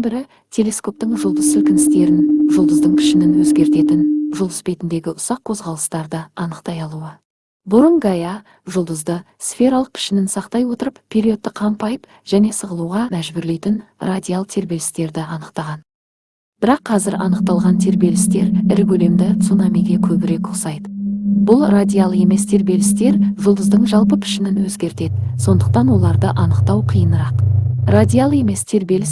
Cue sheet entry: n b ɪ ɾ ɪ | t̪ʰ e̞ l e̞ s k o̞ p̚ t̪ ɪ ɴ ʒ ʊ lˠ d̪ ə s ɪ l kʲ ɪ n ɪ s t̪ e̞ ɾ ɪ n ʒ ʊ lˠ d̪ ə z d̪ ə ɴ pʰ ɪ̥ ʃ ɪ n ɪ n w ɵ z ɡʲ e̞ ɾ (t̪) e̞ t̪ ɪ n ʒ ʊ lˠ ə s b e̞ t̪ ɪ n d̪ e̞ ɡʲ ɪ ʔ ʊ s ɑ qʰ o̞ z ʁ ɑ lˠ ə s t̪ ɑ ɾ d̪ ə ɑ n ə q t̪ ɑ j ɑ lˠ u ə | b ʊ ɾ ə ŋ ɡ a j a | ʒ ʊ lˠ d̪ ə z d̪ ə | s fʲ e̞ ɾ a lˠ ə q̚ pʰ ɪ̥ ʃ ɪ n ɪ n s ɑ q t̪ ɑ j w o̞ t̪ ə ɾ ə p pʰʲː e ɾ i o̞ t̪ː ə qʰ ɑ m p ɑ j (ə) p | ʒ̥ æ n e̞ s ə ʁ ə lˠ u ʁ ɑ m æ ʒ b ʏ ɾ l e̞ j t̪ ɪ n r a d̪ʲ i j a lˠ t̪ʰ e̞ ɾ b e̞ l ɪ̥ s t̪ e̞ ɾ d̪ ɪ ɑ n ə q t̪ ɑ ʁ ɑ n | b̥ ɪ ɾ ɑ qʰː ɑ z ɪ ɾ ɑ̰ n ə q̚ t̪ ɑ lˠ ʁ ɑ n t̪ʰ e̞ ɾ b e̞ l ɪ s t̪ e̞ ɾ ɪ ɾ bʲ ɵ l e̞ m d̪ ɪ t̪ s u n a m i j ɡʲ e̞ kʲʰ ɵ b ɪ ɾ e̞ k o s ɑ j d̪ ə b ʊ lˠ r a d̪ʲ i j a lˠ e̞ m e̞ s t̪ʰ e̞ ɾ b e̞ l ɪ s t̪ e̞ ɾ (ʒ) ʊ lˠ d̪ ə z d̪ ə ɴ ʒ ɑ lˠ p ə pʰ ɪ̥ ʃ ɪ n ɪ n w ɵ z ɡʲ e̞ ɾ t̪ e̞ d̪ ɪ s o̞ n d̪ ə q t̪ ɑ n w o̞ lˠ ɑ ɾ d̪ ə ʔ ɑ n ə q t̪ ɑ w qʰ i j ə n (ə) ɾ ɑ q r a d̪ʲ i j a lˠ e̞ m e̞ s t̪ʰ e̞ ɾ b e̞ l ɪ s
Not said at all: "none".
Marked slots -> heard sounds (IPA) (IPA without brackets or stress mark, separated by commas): t̪, ə, ʒ, ə